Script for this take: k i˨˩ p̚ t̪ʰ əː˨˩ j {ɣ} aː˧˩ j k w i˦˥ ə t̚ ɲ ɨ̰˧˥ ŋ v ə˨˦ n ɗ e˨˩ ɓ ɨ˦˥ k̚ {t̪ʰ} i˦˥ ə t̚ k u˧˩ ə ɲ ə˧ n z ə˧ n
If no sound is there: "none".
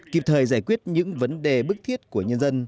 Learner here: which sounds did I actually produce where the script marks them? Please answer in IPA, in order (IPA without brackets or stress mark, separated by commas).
z, t̪ʰ